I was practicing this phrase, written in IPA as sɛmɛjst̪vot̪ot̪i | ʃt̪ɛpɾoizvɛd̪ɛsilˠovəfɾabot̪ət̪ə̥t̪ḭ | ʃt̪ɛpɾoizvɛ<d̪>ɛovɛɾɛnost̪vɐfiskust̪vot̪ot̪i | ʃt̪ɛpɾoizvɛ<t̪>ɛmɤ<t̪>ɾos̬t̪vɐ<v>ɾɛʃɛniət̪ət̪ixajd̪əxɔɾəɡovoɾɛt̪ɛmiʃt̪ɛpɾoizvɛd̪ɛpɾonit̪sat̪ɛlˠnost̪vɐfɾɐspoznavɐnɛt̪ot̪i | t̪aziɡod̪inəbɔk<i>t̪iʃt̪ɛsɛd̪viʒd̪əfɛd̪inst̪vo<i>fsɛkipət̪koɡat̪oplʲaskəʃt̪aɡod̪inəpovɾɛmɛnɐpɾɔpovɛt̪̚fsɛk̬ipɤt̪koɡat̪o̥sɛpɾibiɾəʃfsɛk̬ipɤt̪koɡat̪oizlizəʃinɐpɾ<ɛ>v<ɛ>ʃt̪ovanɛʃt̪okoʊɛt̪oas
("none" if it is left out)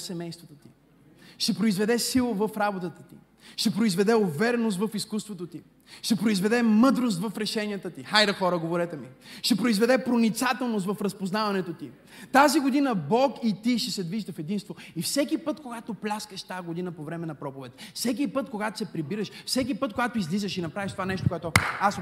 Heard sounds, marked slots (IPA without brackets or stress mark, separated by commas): d̪, d̪, d̪, f, i, i, a, i